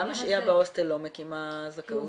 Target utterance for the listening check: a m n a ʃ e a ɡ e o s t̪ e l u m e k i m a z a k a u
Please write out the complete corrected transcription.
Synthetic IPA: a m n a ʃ i a b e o s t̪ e l o m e k i m a z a k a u